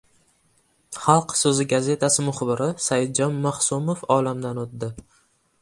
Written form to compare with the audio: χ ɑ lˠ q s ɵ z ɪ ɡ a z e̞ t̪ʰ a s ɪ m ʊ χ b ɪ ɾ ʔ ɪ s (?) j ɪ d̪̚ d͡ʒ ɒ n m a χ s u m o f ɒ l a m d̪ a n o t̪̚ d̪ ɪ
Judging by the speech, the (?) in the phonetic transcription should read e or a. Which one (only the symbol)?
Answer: a